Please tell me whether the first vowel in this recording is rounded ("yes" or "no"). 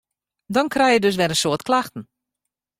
yes